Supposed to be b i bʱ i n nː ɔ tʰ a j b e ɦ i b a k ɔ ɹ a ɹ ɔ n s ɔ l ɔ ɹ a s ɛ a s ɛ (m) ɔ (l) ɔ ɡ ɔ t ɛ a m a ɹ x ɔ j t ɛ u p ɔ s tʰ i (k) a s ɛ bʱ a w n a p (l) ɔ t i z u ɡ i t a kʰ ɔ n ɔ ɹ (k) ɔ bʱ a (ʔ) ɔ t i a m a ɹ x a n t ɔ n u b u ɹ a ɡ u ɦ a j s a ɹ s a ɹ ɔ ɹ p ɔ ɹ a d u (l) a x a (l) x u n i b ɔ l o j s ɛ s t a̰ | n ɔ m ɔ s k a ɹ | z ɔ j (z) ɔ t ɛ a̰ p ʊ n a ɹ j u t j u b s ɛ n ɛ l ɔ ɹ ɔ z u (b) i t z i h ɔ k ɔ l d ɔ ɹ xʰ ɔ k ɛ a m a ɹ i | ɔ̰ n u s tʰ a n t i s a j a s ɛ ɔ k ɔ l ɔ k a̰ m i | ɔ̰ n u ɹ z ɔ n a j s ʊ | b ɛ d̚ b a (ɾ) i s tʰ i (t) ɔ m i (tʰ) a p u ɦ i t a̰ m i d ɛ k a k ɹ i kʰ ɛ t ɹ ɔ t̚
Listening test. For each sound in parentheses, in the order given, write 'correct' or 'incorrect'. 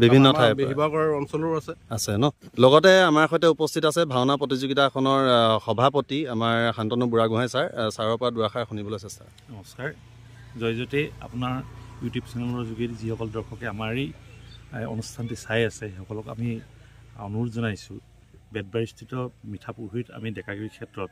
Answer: incorrect, correct, incorrect, incorrect, incorrect, incorrect, incorrect, incorrect, correct, incorrect, incorrect, correct, correct

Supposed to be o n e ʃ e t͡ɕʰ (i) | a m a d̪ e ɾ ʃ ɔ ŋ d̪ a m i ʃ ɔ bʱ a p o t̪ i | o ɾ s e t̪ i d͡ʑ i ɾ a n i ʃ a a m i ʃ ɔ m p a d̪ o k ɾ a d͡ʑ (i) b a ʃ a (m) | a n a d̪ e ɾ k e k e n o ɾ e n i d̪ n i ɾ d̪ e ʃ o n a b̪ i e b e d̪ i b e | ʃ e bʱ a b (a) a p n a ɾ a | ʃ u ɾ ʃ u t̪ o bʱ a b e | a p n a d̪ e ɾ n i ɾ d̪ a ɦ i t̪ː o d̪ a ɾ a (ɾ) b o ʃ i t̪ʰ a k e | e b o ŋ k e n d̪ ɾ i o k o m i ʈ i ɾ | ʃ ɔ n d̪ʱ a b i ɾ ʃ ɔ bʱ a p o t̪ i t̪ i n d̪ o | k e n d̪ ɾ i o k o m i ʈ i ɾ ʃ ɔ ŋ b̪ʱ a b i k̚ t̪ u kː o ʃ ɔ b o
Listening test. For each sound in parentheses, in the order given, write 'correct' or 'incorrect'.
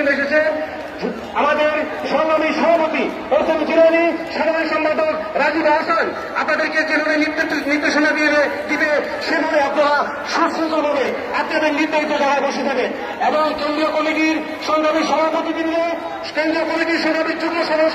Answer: incorrect, correct, incorrect, incorrect, correct

